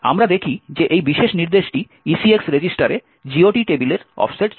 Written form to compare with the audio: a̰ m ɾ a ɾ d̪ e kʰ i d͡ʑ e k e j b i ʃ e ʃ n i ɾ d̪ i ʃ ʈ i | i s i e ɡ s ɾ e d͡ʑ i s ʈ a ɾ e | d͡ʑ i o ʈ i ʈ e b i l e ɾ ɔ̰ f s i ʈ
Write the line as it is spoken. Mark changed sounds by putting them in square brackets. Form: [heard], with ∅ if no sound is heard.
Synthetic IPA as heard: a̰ m ɾ a [∅] d̪ e kʰ i d͡ʑ e [ʔ] e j b i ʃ e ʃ n i ɾ d̪ [e] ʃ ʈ i | i s i e [k] s ɾ e d͡ʑ i s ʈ a ɾ e | d͡ʑ i o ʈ i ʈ e b i l e ɾ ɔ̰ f s [e] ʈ